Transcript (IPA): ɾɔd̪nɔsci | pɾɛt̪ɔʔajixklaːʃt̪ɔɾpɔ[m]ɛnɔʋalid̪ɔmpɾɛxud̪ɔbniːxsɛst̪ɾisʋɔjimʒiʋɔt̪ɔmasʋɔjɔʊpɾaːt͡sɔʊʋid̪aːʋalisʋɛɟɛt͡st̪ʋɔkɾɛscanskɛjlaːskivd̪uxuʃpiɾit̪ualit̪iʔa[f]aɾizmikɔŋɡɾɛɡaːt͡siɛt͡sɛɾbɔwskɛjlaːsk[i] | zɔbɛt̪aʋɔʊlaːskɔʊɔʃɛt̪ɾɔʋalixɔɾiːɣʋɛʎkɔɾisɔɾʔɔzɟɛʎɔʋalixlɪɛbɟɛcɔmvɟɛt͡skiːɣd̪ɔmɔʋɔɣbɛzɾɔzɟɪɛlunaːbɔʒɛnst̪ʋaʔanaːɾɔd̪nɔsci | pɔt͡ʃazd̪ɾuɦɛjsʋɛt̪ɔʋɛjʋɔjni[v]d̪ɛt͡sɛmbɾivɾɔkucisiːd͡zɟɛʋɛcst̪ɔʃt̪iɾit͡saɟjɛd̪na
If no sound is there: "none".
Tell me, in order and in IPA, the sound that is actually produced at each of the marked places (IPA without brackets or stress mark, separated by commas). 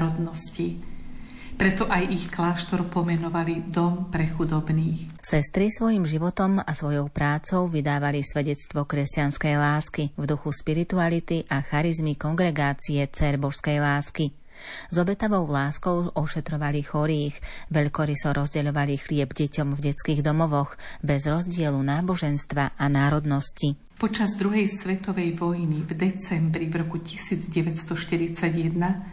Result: m, x, i, v